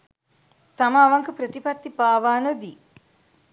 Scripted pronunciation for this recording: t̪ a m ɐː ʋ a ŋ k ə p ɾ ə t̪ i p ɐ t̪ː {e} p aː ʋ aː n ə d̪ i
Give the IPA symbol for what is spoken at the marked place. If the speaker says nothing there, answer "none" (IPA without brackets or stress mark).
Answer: i